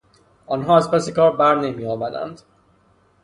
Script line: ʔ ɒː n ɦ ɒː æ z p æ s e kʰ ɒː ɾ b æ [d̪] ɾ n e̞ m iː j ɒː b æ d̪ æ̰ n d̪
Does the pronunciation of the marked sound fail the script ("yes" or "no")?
yes